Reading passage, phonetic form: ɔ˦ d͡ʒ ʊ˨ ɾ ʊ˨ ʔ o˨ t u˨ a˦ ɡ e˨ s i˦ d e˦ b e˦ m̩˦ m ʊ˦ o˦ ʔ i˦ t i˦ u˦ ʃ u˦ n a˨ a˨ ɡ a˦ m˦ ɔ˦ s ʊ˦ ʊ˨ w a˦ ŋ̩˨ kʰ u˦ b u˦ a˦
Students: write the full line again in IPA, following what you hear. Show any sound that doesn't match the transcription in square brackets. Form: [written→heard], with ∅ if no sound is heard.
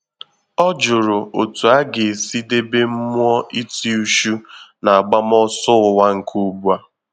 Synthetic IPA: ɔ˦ d͡ʒ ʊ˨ ɾ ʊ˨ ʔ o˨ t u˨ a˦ ɡ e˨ s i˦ d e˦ b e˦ m̩˦ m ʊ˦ [o˦→ɔ˦] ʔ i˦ t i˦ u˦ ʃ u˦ n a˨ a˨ [ɡ→ɡ͡b] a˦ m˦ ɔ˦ s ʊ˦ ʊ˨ w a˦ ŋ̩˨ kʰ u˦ b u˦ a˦